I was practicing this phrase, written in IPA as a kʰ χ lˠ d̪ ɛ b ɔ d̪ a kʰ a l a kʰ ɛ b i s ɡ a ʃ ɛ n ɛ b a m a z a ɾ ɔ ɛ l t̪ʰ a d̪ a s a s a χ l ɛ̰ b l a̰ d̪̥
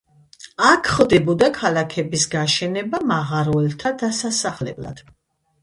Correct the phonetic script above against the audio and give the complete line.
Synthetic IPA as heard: a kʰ χ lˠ d̪ ɛ b ɔ d̪ a kʰ a l a kʰ ɛ b i s ɡ a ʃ ɛ n ɛ b a m a ʁ a ɾ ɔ ɛ l t̪ʰ a d̪ a s a s a χ l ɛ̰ b l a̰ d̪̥